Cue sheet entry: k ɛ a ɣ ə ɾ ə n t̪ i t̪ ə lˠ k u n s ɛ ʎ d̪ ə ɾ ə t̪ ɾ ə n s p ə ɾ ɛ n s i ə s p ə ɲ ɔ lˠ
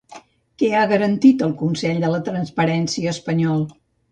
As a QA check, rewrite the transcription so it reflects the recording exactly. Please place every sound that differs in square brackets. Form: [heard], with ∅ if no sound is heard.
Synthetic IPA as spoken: k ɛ a ɣ ə ɾ ə n t̪ i t̪ ə lˠ k u n s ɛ ʎ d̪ ə [l] ə t̪ ɾ ə n s p ə ɾ ɛ n s i [əː] s p ə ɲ ɔ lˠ